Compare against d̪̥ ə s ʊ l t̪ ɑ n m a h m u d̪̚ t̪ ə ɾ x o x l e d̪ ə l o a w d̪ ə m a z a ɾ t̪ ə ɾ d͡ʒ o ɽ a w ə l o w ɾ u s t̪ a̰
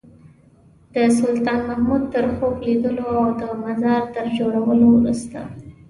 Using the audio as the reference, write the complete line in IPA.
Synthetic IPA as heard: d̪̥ ə s ʊ l t̪ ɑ n m a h m u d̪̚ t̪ ə ɾ x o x l i d̪ ə l o a w d̪ ə m a z ɑ ɾ t̪ ə ɾ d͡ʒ o ɽ a w ə l o w ɾ u s t̪ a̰